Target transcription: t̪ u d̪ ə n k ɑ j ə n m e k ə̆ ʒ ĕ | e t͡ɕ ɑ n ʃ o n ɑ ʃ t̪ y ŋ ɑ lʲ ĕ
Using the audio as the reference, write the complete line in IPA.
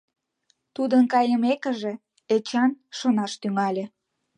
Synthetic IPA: t̪ u d̪ ə n k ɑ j ə m e k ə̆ ʒ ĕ | e t͡ɕ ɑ n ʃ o n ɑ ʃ t̪ y ŋ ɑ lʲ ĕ